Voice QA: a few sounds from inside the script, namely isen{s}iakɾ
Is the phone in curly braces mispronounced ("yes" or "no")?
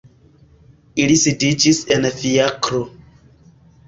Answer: yes